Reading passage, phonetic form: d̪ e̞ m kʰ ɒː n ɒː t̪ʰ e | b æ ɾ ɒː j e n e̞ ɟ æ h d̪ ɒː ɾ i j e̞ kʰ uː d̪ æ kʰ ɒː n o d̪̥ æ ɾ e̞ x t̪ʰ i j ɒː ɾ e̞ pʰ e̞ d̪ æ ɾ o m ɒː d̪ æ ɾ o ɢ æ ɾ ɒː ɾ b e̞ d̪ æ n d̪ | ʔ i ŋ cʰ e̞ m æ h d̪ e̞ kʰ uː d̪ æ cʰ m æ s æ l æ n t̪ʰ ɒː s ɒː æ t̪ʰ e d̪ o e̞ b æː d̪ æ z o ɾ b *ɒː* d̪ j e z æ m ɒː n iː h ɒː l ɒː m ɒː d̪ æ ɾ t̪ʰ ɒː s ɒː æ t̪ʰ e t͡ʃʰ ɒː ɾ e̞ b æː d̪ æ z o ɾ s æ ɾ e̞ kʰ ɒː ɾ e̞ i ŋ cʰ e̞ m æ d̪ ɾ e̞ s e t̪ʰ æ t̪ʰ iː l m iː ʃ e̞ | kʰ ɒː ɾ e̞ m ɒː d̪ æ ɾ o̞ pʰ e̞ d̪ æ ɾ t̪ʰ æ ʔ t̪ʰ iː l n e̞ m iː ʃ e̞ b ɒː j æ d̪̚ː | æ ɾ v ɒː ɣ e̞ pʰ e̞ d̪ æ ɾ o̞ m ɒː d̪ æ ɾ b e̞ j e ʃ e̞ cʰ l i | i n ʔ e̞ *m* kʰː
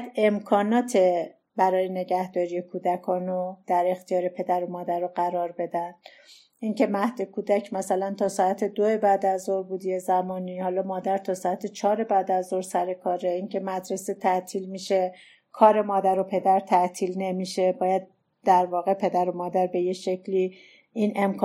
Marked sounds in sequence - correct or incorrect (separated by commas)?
incorrect, correct